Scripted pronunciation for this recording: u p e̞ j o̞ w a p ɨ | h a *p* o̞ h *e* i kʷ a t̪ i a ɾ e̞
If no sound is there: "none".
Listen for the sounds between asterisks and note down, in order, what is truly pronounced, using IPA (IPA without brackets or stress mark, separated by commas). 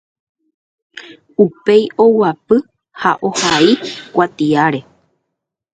ʔ, a